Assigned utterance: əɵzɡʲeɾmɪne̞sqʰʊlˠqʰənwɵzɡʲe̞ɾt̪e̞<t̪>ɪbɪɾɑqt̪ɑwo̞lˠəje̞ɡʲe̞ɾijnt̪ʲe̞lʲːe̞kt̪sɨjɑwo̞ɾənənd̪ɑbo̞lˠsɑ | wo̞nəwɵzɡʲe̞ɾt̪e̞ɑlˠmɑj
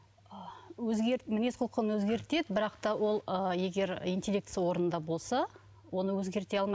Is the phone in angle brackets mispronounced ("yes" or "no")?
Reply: yes